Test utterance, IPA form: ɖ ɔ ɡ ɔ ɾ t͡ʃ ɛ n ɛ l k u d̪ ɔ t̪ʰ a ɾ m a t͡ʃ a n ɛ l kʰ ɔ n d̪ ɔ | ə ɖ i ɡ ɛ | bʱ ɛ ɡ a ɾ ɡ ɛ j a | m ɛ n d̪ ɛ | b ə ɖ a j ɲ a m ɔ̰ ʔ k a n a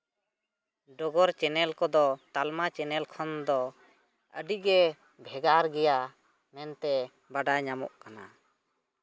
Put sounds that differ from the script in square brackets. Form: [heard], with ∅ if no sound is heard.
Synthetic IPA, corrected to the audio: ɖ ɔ ɡ ɔ ɾ t͡ʃ ɛ n ɛ l k [ɔ] d̪ ɔ [t̪] a [l] m a t͡ʃ [ɛ] n ɛ l kʰ ɔ n d̪ ɔ | ə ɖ i ɡ ɛ | bʱ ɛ ɡ a ɾ ɡ ɛ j a | m ɛ n [t̪] ɛ | b [a] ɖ a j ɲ a m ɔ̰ ʔ k a n a